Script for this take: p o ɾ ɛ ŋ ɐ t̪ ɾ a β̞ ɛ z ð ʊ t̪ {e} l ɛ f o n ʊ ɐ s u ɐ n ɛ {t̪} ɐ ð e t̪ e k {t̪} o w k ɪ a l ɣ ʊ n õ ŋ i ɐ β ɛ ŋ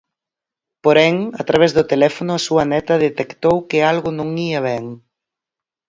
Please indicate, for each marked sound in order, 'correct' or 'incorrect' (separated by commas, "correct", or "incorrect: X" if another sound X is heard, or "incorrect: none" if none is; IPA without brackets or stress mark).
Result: correct, correct, correct